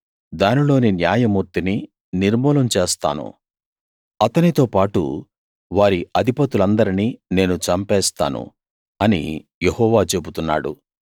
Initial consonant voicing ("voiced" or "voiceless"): voiced